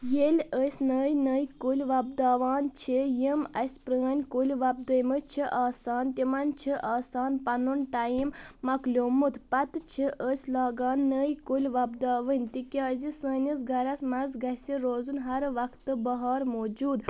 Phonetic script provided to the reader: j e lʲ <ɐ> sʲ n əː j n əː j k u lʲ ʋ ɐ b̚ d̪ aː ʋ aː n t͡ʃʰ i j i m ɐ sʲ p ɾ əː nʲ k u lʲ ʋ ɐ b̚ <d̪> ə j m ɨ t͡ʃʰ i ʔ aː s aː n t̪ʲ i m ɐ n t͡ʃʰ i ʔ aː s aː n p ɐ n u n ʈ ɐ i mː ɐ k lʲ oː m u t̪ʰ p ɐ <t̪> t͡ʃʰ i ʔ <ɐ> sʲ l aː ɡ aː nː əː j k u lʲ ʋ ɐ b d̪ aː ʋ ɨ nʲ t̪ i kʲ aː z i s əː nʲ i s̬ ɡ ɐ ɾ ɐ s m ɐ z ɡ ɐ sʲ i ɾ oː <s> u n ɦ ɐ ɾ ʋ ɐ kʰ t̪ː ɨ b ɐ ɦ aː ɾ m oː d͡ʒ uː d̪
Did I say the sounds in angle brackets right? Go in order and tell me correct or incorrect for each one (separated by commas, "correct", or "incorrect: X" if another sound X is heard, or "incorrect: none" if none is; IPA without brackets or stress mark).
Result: incorrect: ə, correct, correct, incorrect: ə, incorrect: z